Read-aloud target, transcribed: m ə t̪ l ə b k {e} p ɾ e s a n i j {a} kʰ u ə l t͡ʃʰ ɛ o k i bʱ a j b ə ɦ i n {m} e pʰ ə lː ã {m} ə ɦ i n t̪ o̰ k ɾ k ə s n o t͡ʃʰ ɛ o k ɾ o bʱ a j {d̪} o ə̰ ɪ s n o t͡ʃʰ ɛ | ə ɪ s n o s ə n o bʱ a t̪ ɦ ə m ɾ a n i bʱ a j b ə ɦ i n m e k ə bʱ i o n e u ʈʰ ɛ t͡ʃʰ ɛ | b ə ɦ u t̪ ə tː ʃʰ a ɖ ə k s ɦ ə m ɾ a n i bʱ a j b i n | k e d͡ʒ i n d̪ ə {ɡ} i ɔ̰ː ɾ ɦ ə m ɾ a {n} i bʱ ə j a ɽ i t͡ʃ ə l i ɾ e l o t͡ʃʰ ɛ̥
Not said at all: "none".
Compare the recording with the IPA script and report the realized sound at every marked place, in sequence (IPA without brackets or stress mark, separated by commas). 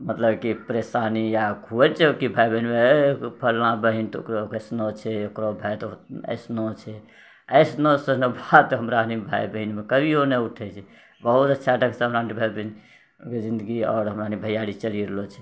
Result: i, a, m, b, t̪, ɡ, n